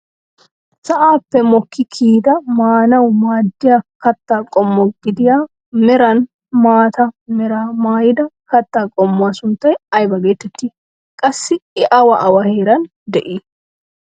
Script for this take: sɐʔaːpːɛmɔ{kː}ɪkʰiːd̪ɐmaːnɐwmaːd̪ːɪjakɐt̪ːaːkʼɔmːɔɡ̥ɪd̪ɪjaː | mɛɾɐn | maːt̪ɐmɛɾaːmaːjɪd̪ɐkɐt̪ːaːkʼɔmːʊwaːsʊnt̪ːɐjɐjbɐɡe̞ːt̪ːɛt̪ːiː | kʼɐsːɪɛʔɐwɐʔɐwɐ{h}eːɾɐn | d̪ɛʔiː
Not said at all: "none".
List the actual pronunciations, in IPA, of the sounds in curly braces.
kː, h

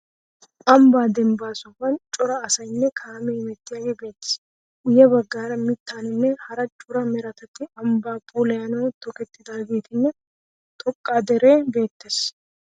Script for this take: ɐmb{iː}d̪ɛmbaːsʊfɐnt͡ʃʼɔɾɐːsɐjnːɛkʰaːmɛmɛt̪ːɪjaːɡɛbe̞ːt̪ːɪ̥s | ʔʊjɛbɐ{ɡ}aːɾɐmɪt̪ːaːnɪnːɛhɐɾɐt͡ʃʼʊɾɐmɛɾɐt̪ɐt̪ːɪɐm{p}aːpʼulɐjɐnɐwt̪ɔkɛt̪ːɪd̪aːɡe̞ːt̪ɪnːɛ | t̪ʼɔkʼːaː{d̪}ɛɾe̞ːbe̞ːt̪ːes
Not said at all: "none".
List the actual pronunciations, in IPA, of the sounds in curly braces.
aː, ɡː, b, d̪

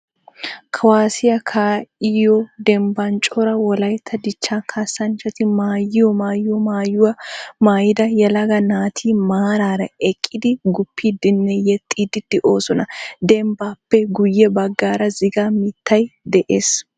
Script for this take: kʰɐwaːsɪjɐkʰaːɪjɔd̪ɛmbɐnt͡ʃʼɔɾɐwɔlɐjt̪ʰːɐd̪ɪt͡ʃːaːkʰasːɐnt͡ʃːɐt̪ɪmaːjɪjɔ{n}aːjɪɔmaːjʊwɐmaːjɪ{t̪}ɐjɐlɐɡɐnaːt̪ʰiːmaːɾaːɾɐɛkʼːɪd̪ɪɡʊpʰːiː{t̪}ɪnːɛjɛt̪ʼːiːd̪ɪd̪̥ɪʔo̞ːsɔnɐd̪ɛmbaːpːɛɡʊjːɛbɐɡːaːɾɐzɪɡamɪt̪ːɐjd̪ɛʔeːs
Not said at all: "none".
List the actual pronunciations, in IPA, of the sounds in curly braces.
m, d̪, d̪

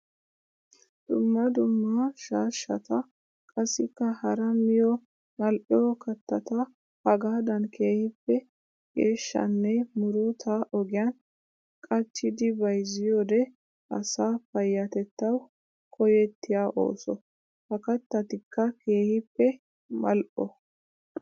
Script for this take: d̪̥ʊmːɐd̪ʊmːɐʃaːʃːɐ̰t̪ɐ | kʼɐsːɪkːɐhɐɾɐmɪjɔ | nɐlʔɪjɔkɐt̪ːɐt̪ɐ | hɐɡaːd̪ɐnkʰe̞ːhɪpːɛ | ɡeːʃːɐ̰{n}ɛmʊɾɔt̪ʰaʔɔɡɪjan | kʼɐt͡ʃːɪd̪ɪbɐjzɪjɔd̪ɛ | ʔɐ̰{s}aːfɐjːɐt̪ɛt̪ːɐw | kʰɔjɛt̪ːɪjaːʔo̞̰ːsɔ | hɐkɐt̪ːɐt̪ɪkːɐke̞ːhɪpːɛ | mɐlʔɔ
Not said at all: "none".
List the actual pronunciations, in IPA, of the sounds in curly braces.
nː, s

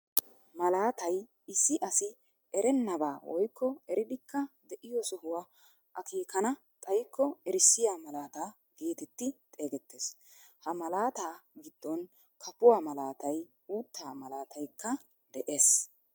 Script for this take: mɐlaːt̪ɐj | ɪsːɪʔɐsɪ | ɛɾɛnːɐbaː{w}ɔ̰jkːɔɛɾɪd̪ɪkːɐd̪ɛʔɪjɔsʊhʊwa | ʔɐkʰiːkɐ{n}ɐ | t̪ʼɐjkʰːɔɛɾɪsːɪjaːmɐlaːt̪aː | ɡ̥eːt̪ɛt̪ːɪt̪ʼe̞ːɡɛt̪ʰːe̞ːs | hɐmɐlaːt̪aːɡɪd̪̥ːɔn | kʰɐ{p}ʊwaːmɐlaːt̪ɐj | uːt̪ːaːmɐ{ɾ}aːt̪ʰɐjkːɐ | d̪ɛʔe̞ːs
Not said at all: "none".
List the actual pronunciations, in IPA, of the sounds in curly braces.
w, n, p, l

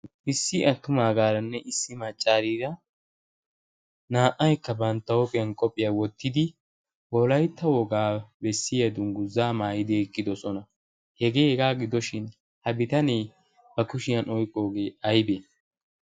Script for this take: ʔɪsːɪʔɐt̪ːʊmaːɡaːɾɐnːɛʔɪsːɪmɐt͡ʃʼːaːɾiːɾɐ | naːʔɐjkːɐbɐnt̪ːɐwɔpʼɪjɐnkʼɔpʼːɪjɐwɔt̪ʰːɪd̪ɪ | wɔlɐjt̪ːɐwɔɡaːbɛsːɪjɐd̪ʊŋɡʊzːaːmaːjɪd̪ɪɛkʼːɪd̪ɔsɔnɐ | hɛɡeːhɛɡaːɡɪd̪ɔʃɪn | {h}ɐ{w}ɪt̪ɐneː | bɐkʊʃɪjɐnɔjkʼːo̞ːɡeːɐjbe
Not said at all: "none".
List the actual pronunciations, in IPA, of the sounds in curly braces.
h, b

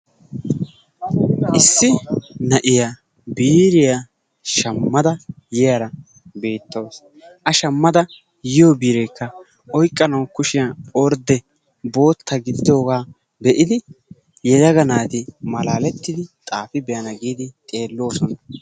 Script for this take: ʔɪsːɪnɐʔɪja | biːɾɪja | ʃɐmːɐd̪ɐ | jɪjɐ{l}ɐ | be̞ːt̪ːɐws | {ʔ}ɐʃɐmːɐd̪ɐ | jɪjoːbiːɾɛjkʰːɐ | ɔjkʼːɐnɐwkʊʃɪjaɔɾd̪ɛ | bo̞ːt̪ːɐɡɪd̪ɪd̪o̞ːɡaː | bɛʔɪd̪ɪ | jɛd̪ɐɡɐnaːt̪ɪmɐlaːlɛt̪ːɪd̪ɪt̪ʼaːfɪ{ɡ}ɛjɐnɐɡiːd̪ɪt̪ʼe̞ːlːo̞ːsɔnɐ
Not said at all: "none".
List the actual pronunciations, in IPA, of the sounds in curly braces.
ɾ, ʔ, b

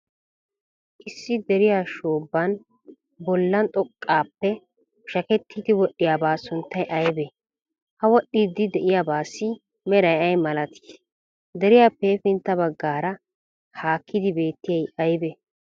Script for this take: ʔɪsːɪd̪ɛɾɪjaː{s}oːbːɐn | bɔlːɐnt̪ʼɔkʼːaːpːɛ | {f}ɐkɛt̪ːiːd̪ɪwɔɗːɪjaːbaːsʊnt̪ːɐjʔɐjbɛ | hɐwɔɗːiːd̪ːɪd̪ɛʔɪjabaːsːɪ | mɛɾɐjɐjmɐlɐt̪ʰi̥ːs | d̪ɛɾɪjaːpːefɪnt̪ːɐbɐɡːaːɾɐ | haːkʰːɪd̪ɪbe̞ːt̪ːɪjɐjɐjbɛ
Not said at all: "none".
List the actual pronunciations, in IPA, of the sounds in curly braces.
ʃ, ʃ

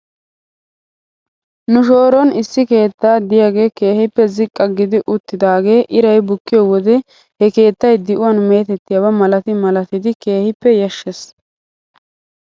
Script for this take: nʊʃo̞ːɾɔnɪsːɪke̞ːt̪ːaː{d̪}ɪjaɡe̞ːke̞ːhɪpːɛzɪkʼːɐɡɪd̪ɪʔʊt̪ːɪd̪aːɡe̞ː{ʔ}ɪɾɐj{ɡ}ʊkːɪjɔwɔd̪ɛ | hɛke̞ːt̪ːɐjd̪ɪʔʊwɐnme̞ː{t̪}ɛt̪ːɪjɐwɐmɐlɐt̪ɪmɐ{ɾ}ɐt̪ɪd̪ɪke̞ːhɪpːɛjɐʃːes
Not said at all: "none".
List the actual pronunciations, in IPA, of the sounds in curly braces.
d̪, ʔ, b, t̪, l

